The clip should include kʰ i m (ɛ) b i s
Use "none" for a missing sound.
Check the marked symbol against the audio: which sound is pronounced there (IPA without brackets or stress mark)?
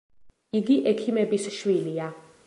ɛ